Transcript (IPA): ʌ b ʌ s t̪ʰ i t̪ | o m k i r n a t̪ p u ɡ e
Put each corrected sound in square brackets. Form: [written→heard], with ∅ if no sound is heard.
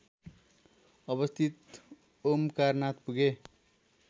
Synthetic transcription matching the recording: ʌ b ʌ s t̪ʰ i t̪ | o m k [i→a] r n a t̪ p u ɡ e

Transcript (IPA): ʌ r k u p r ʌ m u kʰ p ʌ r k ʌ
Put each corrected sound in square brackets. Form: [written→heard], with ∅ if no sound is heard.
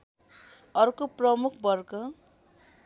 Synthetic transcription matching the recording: ʌ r k [u→o] p r ʌ m u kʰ [p→b] ʌ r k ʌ

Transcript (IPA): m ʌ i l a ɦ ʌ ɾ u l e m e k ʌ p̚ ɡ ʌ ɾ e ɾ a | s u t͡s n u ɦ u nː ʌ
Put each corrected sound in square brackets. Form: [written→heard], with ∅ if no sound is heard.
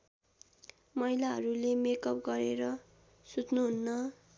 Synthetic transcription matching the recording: m ʌ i l a ɦ ʌ ɾ u l e m e k ʌ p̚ ɡ ʌ ɾ e ɾ [a→ʌ] | s u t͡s n u ɦ u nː ʌ

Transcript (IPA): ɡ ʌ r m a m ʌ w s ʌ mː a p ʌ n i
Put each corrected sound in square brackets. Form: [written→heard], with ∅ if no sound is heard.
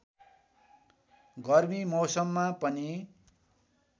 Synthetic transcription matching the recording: ɡ ʌ r m [a→i] m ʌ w s ʌ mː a p ʌ n i

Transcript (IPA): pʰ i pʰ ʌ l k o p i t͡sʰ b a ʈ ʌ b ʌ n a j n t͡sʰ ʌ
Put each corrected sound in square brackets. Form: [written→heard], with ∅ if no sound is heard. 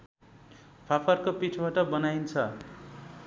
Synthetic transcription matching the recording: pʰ [i→a] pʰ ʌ [l→r] k o p i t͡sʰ b a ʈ ʌ b ʌ n a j n t͡sʰ ʌ

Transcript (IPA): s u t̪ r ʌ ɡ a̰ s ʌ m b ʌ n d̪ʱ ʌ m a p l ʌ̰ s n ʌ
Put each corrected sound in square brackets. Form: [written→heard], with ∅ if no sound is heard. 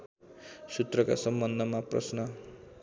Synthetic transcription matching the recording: s u t̪ r ʌ [ɡ→k] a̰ s ʌ m b ʌ n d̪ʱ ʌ m a p [l→r] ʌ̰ s n ʌ

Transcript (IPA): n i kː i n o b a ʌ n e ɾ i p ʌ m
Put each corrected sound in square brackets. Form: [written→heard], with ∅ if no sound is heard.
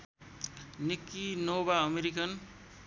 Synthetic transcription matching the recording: n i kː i n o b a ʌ [n→m] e ɾ i [p→k] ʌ [m→n]

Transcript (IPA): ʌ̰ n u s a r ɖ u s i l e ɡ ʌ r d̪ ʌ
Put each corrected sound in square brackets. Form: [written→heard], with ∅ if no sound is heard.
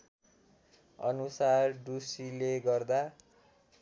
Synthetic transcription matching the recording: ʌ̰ n u s a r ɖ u s i l e ɡ ʌ r d̪ [ʌ→a]

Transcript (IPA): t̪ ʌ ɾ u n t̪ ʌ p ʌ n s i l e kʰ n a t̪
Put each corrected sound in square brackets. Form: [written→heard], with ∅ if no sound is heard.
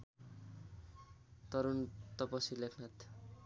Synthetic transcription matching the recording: t̪ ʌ ɾ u n t̪ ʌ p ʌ [n→∅] s i l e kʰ n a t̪

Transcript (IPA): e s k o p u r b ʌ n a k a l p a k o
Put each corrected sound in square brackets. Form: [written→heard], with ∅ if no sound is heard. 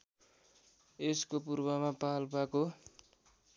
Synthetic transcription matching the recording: e s k o p u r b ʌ [n→m] a [k→p] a l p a k o

